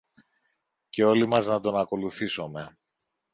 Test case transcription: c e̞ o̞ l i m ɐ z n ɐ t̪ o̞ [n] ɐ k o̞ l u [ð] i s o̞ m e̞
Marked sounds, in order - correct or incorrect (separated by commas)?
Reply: correct, incorrect